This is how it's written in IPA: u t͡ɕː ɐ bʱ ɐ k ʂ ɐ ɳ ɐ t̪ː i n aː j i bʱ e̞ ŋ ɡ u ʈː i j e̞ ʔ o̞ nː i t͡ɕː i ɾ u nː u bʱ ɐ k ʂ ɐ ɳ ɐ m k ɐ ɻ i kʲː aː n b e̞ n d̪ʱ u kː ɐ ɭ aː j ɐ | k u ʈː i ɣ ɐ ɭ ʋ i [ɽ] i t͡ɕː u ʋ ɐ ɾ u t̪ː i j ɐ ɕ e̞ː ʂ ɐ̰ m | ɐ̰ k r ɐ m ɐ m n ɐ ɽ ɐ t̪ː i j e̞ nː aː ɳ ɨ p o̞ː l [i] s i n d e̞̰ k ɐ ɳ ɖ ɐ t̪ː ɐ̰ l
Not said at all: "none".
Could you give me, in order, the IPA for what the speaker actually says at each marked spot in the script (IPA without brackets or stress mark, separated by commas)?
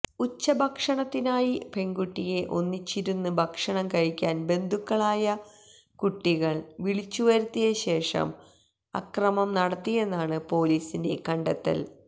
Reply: ɭ, iː